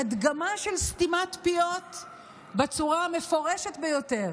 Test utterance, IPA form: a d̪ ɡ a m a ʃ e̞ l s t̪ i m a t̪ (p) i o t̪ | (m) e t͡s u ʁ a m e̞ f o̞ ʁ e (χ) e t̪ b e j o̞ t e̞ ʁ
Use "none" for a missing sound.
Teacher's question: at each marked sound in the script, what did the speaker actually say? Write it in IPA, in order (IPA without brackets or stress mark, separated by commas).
p, b, ʃ